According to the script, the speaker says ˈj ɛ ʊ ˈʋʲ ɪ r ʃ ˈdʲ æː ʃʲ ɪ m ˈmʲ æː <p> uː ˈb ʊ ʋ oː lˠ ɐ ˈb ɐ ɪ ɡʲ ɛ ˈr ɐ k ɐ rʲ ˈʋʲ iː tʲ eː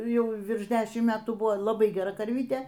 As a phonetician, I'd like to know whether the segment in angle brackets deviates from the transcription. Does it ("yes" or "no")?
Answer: yes